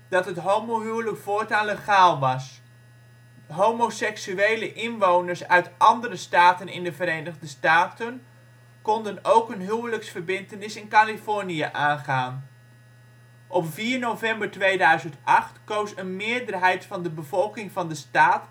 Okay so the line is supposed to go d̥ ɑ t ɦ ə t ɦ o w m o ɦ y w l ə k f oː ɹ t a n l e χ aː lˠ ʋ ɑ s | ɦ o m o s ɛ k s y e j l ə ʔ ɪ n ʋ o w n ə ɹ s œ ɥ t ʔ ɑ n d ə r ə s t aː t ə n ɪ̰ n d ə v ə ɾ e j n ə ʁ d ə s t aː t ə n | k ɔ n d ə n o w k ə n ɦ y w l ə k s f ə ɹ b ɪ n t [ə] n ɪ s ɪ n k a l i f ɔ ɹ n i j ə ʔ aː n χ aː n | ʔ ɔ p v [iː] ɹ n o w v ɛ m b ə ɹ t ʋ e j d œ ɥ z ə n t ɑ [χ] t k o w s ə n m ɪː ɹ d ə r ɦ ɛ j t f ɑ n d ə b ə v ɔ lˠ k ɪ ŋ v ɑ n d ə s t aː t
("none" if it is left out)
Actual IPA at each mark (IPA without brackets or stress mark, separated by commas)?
ə, iː, χ